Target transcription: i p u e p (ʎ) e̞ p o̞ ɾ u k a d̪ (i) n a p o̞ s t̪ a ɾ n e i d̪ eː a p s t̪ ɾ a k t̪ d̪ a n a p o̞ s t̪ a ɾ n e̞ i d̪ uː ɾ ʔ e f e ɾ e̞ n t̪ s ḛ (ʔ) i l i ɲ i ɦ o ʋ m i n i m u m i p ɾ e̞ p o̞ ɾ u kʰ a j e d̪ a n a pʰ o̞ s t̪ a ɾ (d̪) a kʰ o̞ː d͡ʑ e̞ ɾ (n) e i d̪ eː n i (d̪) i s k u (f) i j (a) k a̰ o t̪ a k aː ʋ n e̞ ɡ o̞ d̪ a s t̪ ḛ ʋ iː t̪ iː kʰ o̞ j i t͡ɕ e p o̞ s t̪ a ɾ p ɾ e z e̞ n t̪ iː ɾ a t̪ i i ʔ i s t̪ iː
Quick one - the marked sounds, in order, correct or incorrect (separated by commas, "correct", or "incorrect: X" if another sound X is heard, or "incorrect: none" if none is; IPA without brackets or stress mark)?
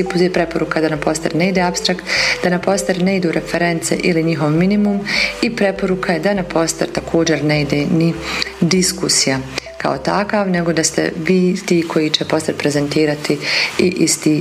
incorrect: ɾ, incorrect: a, correct, incorrect: t̪, correct, correct, incorrect: s, correct